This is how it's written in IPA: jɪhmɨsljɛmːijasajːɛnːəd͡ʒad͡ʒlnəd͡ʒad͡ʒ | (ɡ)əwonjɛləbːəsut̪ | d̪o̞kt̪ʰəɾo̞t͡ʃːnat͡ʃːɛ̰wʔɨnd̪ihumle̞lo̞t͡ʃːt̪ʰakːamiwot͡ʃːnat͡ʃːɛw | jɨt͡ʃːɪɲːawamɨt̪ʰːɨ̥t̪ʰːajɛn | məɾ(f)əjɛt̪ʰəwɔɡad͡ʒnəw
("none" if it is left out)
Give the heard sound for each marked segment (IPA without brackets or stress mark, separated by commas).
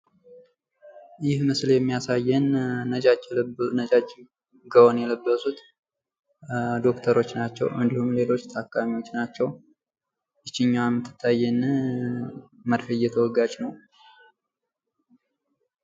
ɡ, f